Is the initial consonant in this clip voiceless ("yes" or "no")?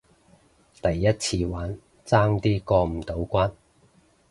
yes